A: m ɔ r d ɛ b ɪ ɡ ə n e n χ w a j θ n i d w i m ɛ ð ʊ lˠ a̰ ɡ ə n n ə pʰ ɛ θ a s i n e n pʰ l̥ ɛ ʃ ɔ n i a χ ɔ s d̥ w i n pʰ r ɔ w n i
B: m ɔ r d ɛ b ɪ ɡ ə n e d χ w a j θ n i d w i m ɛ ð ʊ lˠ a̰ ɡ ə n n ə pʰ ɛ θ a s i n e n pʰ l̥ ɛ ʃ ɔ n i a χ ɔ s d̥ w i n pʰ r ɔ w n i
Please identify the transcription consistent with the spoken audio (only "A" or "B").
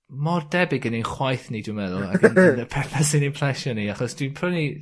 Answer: A